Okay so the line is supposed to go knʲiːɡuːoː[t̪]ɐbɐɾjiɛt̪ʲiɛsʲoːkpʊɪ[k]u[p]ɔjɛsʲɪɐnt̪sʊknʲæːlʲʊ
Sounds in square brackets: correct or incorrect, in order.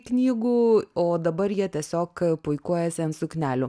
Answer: incorrect: d̪, correct, incorrect: none

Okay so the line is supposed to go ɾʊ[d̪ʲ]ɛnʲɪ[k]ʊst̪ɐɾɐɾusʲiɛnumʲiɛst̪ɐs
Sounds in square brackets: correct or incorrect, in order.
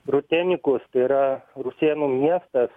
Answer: incorrect: t̪ʲ, correct

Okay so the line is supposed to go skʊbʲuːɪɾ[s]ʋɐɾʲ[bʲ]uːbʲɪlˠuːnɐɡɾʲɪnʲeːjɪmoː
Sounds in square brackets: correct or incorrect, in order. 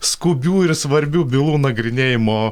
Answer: correct, correct

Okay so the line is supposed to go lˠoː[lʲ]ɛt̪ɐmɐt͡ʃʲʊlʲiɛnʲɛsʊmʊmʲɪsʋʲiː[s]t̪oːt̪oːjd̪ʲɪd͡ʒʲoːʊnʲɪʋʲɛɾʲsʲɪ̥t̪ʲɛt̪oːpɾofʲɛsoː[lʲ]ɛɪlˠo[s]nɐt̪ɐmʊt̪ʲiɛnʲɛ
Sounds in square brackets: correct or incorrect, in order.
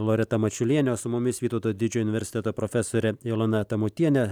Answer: incorrect: ɾʲ, incorrect: none, incorrect: ɾʲ, incorrect: none

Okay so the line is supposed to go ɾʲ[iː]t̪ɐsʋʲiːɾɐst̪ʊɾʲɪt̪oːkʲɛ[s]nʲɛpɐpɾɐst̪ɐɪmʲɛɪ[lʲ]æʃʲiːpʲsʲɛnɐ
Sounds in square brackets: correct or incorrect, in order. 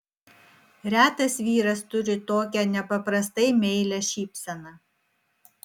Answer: incorrect: æː, incorrect: none, correct

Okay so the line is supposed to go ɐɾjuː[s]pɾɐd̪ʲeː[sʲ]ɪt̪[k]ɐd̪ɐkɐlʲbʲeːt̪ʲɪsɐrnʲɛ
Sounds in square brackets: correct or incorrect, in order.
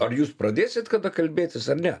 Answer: correct, correct, correct

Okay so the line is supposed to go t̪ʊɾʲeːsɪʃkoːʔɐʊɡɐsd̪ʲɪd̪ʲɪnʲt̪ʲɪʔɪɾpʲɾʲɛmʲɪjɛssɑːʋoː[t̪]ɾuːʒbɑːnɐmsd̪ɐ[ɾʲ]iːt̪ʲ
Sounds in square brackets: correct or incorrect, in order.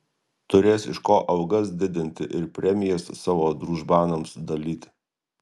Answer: incorrect: d̪, incorrect: lʲ

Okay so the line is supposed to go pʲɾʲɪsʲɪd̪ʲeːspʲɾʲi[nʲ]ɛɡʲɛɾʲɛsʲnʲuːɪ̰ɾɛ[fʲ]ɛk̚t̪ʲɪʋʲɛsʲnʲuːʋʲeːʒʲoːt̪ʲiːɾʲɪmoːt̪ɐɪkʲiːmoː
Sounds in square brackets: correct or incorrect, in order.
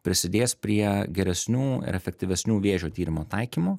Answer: incorrect: none, correct

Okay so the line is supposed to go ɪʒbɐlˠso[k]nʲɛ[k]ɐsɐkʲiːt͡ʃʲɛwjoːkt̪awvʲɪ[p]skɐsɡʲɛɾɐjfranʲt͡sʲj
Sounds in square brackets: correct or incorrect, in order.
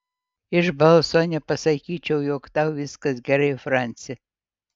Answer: incorrect: none, incorrect: p, incorrect: none

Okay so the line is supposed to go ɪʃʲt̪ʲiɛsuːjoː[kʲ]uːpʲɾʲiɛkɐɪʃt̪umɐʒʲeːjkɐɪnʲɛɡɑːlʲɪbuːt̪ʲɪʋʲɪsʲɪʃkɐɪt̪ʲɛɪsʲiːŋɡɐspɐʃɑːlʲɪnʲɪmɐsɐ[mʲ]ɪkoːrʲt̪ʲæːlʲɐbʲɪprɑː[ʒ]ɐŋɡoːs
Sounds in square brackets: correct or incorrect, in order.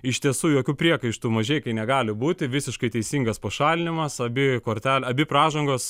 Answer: correct, incorrect: bʲ, correct

